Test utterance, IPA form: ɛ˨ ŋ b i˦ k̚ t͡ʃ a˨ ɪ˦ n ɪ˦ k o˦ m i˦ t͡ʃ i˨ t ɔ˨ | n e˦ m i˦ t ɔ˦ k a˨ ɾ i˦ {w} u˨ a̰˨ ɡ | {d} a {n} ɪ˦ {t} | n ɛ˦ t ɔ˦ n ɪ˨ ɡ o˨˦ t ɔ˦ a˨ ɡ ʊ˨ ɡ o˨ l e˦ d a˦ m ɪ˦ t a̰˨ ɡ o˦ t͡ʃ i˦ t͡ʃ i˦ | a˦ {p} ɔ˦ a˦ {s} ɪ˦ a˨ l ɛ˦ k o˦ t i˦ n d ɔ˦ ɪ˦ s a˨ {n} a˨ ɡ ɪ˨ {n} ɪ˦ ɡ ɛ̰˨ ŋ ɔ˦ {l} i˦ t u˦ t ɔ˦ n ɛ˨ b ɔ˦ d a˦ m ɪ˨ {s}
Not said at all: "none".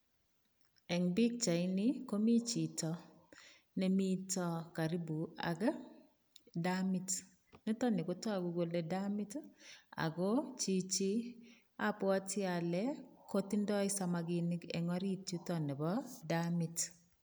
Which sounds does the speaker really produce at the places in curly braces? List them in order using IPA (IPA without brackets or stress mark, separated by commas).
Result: b, d, m, t, p, t, m, n, ɾ, t